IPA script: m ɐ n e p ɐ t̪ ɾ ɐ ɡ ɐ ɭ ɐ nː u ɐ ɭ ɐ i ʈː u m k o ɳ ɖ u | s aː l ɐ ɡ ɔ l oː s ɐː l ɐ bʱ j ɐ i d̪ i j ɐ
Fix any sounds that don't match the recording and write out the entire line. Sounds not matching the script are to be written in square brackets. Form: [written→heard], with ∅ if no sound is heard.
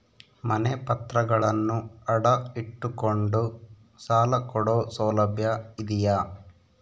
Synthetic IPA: m ɐ n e p ɐ t̪ ɾ ɐ ɡ ɐ ɭ ɐ nː u ɐ [ɭ→ɽ] ɐ i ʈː u [m→∅] k o ɳ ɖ u | s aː l ɐ [ɡ→k] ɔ [l→ɽ] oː s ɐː l ɐ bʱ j ɐ i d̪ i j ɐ

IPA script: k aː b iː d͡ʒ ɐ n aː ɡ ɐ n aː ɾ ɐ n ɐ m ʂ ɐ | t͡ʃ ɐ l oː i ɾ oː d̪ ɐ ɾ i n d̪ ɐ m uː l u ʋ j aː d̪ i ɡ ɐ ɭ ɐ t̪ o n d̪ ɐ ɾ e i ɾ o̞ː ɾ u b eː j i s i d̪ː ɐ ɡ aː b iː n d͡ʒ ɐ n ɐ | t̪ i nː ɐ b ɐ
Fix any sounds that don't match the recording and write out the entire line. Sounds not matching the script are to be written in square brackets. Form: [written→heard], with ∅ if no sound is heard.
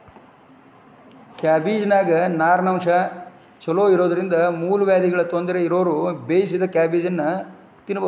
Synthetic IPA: k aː b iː d͡ʒ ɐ n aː ɡ ɐ n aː ɾ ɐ n ɐ m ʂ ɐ | t͡ʃ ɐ l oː i ɾ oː d̪ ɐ ɾ i n d̪ ɐ m uː l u ʋ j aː d̪ i ɡ ɐ ɭ ɐ t̪ o n d̪ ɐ ɾ e i ɾ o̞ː ɾ u b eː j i s i [d̪ː→d̪] ɐ [ɡ→k] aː b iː [n→∅] d͡ʒ ɐ [n→nː] ɐ | t̪ i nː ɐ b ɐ

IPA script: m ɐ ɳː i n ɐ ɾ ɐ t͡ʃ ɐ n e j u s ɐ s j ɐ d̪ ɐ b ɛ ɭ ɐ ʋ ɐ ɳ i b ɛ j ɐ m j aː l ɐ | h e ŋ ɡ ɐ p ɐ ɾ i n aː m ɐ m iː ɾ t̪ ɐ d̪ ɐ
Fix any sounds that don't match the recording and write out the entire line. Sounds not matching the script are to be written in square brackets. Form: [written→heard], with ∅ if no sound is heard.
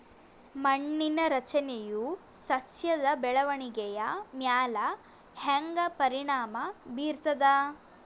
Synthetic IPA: m ɐ ɳː i n ɐ ɾ ɐ t͡ʃ ɐ n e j u s ɐ s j ɐ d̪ ɐ b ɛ ɭ ɐ ʋ ɐ ɳ i [b→ɡ] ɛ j ɐ m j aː l ɐ | h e ŋ ɡ ɐ p ɐ ɾ i [n→ɳ] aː m ɐ [m→b] iː ɾ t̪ ɐ d̪ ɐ

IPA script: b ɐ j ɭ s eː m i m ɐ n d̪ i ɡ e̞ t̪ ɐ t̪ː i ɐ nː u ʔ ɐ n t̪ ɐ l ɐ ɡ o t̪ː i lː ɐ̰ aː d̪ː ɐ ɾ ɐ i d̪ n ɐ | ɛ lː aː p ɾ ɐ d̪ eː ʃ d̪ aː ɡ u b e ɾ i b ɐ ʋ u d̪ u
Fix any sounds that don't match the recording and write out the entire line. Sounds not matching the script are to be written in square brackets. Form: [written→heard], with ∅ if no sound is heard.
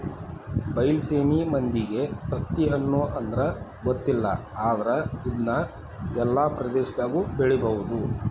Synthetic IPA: b ɐ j [ɭ→l] s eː m i m ɐ n d̪ i ɡ e̞ t̪ ɐ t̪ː i ɐ nː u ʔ ɐ n [t̪→d̪] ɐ [l→ɾ] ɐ ɡ o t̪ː i lː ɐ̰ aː [d̪ː→d̪] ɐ ɾ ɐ i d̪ n ɐ | ɛ lː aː p ɾ ɐ d̪ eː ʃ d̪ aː ɡ u b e [ɾ→ɭ] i b ɐ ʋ u d̪ u

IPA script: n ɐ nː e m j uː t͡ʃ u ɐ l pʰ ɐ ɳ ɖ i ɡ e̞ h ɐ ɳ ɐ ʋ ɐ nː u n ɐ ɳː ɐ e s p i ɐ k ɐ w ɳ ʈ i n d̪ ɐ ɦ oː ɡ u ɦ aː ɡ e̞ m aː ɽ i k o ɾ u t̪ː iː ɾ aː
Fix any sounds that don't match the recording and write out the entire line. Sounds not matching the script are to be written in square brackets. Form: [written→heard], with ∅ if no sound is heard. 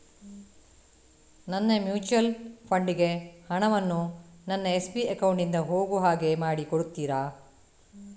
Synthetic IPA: n ɐ nː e m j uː t͡ʃ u ɐ l pʰ ɐ ɳ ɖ i ɡ e̞ h ɐ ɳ ɐ ʋ ɐ nː u n ɐ [ɳː→nː] ɐ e s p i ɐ k ɐ w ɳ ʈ i n d̪ ɐ ɦ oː ɡ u ɦ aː ɡ e̞ m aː ɽ i k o [ɾ→ɽ] u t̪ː iː ɾ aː

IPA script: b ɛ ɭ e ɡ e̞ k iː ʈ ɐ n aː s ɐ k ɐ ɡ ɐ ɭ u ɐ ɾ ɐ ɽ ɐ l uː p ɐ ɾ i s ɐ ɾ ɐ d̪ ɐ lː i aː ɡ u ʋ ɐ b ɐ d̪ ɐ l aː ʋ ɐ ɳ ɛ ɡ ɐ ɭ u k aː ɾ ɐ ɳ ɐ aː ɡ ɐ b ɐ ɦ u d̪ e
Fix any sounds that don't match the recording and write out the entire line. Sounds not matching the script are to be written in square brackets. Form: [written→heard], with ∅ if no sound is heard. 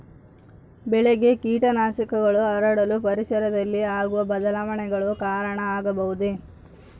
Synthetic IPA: b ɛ ɭ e ɡ e̞ k iː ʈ ɐ n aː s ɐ k ɐ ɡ ɐ ɭ u ɐ ɾ ɐ ɽ ɐ l [uː→u] p ɐ ɾ i s ɐ ɾ ɐ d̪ ɐ lː i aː ɡ u ʋ ɐ b ɐ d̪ ɐ l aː ʋ ɐ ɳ ɛ ɡ ɐ ɭ u k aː ɾ ɐ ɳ ɐ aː ɡ ɐ b ɐ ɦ u d̪ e

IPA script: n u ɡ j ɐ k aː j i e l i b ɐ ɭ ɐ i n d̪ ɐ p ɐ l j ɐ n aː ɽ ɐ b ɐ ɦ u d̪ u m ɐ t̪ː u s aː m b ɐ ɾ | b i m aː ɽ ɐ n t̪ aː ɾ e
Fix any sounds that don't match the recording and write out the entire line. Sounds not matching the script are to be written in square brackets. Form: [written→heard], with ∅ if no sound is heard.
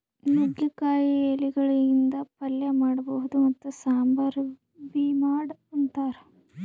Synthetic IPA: n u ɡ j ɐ k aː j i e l i [b→ɡ] ɐ ɭ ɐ i n d̪ ɐ p ɐ l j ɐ [n→m] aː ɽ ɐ b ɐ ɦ u d̪ u m ɐ t̪ː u s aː m b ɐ ɾ | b i m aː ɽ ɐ n t̪ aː ɾ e

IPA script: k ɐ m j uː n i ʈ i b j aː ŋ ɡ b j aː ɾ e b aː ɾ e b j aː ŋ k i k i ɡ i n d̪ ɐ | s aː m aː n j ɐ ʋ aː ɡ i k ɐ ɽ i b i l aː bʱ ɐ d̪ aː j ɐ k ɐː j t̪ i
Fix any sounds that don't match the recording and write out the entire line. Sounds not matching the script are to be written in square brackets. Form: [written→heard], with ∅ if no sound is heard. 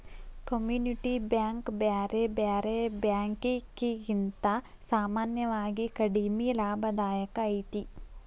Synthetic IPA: k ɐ m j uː n i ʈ i b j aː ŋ [ɡ→k] b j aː ɾ e b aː ɾ e b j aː ŋ k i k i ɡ i n [d̪→t̪] ɐ | s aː m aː n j ɐ ʋ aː ɡ i k ɐ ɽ i [b→m] i l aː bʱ ɐ d̪ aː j ɐ k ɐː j t̪ i

